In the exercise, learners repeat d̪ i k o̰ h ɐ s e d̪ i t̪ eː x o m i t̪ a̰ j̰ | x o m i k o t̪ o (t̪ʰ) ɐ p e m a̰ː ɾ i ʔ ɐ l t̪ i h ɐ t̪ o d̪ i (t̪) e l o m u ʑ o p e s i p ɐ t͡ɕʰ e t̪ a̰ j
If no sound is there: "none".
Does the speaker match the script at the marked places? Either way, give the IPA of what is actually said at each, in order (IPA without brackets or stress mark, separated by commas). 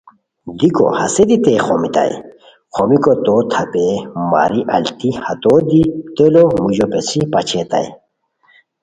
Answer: t̪ʰ, t̪